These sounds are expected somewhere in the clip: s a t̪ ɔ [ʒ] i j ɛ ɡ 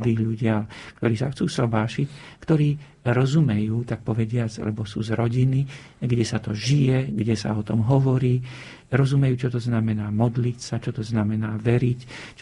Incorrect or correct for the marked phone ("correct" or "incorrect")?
correct